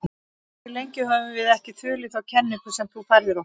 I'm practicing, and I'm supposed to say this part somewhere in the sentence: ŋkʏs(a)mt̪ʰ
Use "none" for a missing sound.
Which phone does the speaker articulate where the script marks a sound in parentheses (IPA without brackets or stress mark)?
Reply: ɛ